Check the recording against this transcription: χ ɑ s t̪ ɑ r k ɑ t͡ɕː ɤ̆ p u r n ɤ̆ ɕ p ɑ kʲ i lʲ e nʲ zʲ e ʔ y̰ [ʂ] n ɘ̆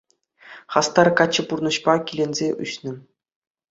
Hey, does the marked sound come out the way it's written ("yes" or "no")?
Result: no